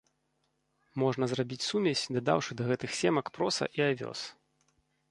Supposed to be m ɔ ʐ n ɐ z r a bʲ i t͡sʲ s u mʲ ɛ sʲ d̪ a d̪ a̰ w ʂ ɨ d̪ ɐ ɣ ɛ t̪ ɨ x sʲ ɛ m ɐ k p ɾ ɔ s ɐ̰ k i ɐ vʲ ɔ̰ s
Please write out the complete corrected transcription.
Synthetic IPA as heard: m ɔ ʐ n ɐ z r a bʲ i t͡sʲ s u mʲ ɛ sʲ d̪ a d̪ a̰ w ʂ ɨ d̪ ɐ ɣ ɛ t̪ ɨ x sʲ ɛ m ɐ k p ɾ ɔ s ɐ̰ ʔ i a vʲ ɔ̰ s